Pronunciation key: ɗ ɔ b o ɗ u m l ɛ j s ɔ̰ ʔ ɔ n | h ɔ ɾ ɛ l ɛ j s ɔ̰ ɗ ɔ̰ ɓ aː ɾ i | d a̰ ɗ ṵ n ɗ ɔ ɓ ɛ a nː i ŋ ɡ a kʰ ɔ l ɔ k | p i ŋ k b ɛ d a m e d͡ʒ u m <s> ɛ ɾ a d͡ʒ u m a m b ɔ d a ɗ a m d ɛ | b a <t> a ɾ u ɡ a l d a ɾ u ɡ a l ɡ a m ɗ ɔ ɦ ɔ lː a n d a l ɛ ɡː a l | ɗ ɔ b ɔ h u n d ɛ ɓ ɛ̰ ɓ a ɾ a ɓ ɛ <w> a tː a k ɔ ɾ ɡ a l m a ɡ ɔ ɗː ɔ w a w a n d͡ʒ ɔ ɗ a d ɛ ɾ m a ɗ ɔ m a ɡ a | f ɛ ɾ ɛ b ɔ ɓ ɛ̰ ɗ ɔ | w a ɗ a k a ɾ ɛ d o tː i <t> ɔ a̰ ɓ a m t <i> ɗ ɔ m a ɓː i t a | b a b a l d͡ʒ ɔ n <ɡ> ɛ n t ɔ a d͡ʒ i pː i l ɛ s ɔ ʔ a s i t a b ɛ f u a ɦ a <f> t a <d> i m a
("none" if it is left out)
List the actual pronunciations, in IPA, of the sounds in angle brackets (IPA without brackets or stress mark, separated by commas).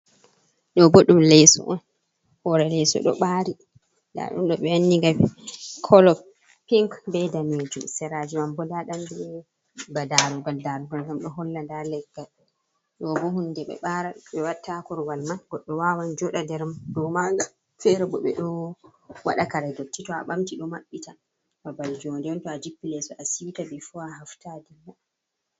s, d, w, t, i, d, f, d